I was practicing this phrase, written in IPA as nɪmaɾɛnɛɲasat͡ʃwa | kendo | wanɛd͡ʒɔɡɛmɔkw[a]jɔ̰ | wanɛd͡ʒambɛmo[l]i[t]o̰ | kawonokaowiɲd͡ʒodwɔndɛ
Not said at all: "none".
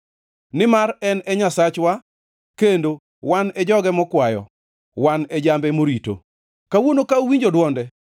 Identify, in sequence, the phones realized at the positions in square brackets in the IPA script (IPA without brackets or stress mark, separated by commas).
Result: a, ɾ, t